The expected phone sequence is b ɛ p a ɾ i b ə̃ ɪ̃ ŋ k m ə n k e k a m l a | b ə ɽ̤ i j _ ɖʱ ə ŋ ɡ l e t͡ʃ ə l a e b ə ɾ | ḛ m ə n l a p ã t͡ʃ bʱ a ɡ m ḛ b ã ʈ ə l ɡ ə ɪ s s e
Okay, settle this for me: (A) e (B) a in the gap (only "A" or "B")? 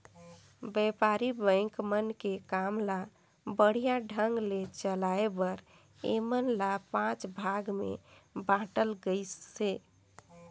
B